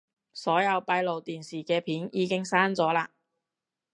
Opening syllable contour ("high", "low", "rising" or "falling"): rising